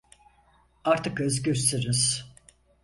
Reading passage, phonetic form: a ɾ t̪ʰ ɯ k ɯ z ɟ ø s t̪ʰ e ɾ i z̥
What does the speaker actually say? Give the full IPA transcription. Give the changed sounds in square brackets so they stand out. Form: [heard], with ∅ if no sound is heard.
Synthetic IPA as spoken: a ɾ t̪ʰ ɯ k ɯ z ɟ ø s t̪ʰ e ɾ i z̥